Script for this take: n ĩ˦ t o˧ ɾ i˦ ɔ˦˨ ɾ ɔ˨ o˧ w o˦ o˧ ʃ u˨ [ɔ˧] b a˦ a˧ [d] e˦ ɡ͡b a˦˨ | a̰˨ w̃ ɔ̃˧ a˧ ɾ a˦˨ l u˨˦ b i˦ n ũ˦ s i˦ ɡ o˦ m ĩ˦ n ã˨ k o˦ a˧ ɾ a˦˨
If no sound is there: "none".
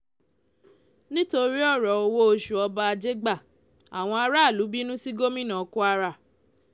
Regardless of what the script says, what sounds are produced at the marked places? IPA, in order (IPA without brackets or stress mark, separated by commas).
ɔ˧, d͡ʒ